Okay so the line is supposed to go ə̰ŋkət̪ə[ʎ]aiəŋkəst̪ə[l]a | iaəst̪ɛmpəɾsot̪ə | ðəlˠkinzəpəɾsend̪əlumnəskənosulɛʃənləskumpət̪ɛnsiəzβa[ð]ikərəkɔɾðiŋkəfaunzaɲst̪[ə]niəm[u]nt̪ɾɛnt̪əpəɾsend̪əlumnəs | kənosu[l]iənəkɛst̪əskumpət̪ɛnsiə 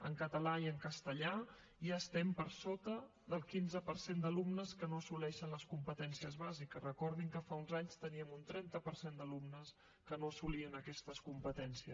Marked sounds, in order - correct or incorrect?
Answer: incorrect: l, incorrect: ʎ, incorrect: z, correct, correct, correct

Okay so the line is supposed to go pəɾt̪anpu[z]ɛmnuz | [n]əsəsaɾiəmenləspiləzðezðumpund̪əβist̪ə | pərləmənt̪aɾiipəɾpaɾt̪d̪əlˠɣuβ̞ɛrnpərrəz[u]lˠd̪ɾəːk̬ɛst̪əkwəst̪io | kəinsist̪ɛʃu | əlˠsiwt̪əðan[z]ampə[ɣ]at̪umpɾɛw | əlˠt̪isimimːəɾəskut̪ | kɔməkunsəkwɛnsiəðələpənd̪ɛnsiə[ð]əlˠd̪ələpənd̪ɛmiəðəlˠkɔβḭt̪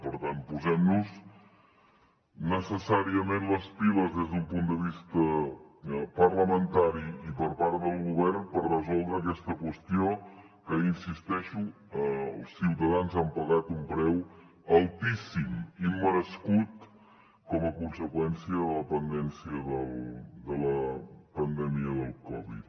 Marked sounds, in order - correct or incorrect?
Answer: correct, correct, incorrect: ɔ, correct, correct, correct

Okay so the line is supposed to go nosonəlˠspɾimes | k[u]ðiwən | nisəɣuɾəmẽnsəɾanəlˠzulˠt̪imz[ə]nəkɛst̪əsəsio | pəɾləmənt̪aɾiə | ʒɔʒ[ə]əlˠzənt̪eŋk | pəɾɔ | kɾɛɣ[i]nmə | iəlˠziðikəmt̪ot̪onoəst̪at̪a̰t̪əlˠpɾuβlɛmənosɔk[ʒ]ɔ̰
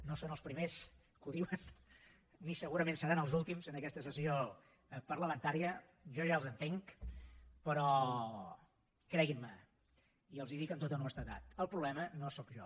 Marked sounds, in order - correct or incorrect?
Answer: correct, correct, incorrect: a, correct, correct

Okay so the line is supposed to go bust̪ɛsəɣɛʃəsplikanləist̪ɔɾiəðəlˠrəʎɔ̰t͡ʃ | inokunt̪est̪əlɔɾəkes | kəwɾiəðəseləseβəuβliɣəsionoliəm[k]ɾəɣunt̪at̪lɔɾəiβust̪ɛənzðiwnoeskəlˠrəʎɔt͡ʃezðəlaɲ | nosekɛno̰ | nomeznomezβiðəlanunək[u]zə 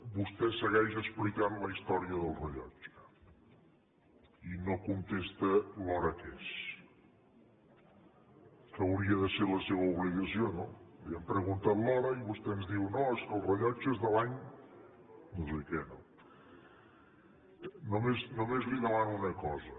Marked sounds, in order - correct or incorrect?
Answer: incorrect: p, incorrect: ɔ

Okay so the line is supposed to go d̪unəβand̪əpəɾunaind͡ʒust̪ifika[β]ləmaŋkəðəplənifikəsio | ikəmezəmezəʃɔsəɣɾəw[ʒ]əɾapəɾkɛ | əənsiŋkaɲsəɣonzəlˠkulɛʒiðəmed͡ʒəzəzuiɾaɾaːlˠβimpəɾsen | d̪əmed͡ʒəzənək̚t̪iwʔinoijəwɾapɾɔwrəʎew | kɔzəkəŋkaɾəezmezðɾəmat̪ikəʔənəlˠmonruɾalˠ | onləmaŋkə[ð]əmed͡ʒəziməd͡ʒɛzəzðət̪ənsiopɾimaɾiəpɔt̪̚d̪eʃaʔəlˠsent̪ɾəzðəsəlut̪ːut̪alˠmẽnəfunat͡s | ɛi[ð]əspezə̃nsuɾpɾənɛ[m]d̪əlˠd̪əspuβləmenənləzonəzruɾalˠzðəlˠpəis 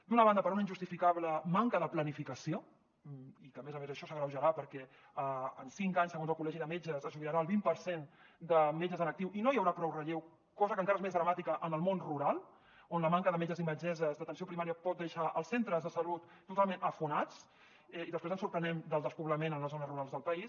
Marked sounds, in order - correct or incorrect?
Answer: correct, correct, correct, correct, correct

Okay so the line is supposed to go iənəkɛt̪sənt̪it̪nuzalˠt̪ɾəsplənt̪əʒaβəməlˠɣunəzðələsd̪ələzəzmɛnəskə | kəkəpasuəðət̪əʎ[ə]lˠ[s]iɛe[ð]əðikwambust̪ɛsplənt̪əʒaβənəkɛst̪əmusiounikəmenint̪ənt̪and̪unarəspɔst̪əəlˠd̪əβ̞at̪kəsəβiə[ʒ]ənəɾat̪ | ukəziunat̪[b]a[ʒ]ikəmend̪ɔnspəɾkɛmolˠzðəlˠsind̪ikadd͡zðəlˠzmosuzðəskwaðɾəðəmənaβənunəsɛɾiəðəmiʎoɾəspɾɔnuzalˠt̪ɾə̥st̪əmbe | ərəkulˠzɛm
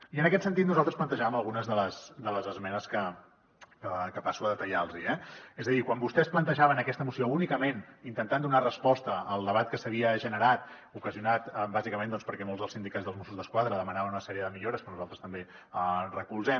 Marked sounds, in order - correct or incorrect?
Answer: incorrect: a, incorrect: z, incorrect: z, correct, correct, incorrect: z

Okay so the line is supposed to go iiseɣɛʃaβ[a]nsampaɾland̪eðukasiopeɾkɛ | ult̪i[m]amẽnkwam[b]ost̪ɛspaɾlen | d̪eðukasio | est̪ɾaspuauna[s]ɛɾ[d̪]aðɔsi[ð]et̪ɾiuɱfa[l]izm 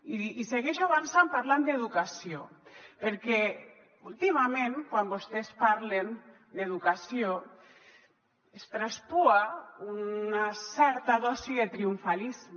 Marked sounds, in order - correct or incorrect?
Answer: correct, correct, correct, correct, incorrect: t̪, correct, correct

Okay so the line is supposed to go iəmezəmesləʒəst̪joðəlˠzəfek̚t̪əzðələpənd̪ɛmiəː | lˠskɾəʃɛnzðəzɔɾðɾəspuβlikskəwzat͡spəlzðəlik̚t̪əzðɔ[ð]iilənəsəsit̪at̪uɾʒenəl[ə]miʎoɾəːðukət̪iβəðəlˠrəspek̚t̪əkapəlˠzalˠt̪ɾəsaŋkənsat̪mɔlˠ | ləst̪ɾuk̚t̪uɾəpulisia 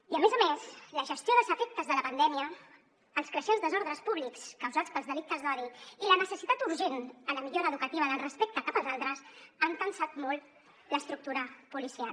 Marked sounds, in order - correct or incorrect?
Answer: correct, correct

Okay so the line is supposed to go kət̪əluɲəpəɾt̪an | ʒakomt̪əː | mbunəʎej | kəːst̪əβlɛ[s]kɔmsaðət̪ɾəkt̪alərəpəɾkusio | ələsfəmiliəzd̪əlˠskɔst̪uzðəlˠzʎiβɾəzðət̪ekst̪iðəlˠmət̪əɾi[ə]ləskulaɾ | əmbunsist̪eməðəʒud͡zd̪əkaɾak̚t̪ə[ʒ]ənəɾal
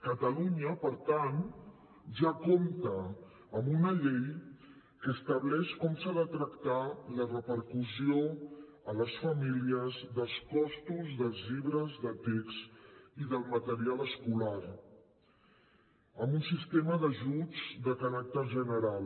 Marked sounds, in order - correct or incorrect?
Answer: incorrect: ʃ, incorrect: a, correct

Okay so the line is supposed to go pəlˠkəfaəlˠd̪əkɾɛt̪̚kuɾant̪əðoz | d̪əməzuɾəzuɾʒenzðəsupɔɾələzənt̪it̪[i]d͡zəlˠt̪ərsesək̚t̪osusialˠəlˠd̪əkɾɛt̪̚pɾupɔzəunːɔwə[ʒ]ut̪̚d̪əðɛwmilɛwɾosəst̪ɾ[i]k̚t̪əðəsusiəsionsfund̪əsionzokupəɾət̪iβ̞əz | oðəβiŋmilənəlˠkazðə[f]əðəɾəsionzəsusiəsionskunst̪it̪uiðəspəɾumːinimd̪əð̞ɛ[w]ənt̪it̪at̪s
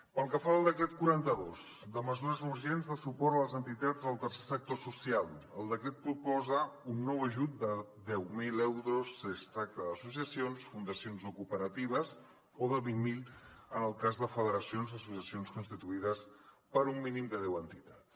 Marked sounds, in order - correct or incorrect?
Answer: incorrect: a, correct, incorrect: a, correct, correct

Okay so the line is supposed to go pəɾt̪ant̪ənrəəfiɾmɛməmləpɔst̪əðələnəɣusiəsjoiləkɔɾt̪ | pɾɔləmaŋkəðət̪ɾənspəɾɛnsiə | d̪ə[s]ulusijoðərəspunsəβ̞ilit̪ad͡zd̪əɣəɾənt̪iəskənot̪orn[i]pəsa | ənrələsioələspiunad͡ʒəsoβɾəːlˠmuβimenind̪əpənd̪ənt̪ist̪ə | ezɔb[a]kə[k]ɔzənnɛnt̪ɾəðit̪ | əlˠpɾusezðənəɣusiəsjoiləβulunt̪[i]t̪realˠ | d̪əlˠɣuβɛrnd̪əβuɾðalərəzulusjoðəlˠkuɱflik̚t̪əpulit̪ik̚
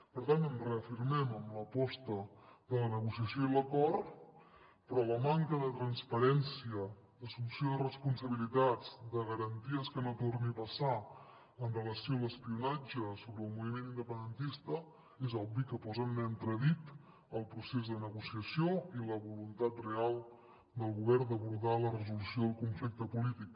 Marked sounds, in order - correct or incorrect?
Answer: correct, correct, incorrect: i, incorrect: p, incorrect: a

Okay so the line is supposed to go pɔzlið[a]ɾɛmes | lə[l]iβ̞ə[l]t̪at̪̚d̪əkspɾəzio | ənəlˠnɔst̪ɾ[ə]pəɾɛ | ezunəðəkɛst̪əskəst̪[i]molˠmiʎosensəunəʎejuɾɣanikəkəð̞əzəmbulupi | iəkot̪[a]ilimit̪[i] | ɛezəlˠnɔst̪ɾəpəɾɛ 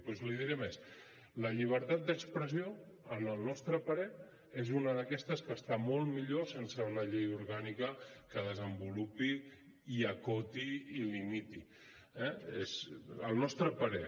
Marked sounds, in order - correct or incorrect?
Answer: incorrect: i, incorrect: ʎ, incorrect: ɾ, correct, incorrect: a, incorrect: i, correct

